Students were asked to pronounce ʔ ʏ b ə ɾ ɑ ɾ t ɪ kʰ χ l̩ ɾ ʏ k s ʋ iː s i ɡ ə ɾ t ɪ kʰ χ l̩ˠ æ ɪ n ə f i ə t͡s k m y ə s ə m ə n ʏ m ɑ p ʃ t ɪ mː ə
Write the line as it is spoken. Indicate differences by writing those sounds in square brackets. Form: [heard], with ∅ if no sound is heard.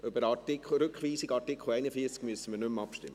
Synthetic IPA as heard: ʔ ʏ b ə ɾ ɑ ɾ t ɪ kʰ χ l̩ ɾ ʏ k [χ] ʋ iː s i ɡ [ɑ] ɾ t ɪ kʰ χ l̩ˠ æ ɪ n ə f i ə t͡s k m y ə s ə m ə n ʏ m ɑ p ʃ t ɪ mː ə